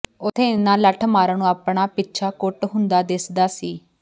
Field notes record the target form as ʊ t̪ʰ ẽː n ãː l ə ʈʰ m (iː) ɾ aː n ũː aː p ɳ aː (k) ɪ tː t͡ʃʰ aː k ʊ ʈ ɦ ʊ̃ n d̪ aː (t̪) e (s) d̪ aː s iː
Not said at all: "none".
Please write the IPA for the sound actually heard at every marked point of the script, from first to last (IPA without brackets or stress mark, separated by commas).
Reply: aː, p, d̪, s